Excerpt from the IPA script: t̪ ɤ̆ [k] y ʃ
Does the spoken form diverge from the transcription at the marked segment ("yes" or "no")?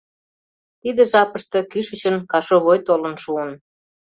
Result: no